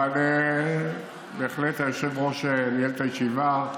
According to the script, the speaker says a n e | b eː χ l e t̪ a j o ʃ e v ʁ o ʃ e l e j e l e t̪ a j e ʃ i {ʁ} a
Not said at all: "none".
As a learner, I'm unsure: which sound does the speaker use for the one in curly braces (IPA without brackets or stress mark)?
v